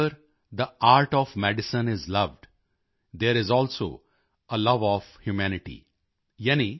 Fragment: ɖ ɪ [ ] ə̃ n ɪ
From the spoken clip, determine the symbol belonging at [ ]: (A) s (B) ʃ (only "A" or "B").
A